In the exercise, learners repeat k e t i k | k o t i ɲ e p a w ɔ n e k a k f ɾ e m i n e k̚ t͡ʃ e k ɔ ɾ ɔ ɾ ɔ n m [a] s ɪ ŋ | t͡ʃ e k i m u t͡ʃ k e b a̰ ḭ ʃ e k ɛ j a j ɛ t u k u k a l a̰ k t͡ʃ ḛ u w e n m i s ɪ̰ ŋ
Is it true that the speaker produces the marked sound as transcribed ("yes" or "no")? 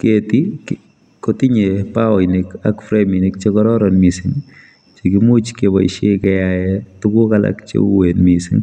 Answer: no